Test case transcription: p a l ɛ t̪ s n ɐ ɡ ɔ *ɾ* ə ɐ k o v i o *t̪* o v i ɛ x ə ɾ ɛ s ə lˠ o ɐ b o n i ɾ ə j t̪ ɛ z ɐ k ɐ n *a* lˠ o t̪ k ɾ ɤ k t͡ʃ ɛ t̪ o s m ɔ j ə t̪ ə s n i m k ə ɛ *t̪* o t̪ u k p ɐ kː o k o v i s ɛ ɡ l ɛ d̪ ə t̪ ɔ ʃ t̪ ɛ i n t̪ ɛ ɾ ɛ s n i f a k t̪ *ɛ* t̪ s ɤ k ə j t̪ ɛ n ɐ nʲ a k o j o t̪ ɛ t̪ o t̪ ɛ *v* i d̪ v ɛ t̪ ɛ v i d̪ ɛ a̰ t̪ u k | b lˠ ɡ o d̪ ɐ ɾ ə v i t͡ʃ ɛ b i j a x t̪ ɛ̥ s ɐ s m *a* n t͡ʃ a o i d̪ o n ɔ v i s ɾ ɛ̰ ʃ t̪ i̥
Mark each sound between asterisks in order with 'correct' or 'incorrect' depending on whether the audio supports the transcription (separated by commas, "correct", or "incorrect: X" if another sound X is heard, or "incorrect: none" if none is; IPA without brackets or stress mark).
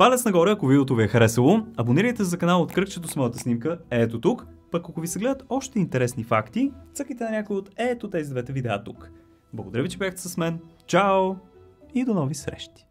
correct, correct, correct, correct, incorrect: i, incorrect: z, incorrect: ɛ